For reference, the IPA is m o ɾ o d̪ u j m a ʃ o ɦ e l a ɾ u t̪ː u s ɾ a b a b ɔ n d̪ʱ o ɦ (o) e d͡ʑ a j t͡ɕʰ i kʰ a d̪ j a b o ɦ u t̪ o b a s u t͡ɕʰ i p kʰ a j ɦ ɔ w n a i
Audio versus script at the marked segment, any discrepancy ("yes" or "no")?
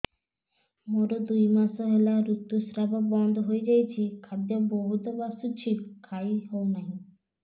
no